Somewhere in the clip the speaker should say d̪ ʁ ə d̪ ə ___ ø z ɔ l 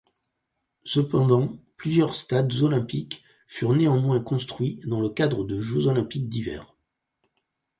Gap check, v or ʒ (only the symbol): ʒ